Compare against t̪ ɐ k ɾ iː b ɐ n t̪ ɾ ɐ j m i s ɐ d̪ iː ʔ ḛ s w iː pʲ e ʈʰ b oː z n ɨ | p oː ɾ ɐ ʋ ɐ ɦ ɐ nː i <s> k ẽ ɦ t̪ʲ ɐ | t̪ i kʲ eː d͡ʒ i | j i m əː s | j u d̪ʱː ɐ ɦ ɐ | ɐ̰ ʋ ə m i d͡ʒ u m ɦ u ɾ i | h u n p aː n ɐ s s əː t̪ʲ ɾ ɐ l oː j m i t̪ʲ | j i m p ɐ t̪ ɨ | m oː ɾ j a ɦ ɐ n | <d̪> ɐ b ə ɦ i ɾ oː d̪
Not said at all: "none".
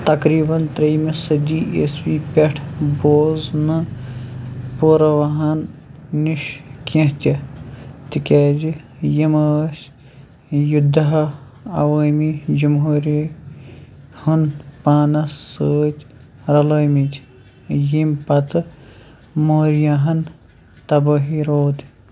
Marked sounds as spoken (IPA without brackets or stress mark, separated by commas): ʃ, t̪